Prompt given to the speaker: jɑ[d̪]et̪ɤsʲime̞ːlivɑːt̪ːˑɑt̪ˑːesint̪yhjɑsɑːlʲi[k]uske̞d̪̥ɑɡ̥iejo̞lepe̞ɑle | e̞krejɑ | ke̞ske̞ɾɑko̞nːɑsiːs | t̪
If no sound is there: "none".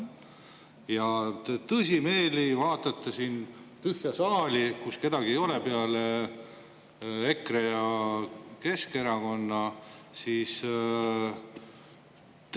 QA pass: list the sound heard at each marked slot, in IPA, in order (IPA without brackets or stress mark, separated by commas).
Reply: t̪, k